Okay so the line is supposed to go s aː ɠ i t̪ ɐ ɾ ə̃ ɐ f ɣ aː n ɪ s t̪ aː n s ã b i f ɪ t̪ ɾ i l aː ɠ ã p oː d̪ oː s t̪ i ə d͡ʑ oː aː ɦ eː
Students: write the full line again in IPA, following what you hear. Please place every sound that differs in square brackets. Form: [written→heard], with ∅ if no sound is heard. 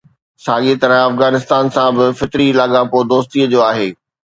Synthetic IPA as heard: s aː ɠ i t̪ ɐ ɾ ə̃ ɐ f ɣ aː n ɪ s t̪ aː n s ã b [i→ɪ] f ɪ t̪ ɾ i l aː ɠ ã p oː d̪ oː s t̪ i ə d͡ʑ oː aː ɦ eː

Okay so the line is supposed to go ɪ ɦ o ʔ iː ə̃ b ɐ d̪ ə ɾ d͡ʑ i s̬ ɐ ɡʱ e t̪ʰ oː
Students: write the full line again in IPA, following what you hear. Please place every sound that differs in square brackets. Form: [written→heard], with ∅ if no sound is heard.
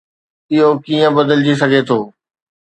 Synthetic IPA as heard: ɪ ɦ o [ʔ→k] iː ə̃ b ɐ d̪ ə [ɾ→l] d͡ʑ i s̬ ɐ ɡʱ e t̪ʰ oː

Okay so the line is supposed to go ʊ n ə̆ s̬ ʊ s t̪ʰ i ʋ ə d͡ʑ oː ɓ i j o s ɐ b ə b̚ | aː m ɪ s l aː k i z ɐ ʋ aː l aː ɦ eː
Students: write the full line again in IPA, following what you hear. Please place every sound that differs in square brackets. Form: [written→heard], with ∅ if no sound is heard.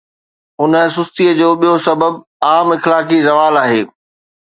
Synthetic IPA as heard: ʊ n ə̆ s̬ ʊ s [t̪ʰ→t̪] i [ʋ→∅] ə d͡ʑ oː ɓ i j o s ɐ b ə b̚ | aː m ɪ [s→x] l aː k i z ɐ ʋ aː l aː ɦ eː

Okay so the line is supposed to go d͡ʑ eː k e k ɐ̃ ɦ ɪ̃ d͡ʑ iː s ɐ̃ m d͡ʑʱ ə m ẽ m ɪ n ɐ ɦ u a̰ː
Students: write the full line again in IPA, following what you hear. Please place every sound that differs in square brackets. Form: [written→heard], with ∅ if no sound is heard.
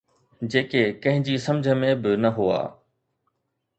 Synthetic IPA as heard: d͡ʑ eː k e k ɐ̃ ɦ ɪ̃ d͡ʑ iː s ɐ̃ m d͡ʑʱ ə m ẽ [m→b] ɪ n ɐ ɦ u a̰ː

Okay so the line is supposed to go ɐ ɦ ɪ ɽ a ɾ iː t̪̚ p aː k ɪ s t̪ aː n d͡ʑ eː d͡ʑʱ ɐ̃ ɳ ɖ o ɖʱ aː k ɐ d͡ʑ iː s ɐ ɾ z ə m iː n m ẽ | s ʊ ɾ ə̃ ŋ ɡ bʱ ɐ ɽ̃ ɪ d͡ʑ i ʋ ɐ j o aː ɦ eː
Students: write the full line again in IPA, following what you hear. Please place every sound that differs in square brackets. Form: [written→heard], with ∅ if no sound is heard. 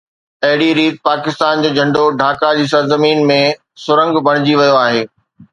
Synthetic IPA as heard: ɐ ɦ ɪ ɽ [a→i] ɾ iː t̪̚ p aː k ɪ s t̪ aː n d͡ʑ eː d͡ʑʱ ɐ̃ ɳ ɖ o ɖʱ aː k [ɐ→a] d͡ʑ iː s ɐ ɾ z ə m iː n m ẽ | s ʊ ɾ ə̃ ŋ ɡ bʱ ɐ ɽ̃ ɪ d͡ʑ i ʋ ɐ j o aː ɦ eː

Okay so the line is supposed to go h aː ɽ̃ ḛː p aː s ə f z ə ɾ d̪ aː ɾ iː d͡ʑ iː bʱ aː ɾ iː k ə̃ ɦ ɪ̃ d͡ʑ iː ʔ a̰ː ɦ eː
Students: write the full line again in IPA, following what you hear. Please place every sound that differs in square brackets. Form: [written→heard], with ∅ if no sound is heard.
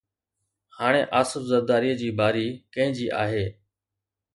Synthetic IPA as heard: h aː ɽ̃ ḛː [p→ʔ] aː s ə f z ə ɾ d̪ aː ɾ iː d͡ʑ iː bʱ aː ɾ iː k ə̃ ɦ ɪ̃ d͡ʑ iː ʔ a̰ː ɦ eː

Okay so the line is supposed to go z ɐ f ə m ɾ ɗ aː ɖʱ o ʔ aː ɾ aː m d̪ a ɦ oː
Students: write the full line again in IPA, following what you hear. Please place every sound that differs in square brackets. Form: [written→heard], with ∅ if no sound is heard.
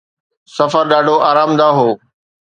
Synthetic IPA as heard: [z→s] ɐ f ə [m→∅] ɾ ɗ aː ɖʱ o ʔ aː ɾ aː m d̪ a ɦ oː

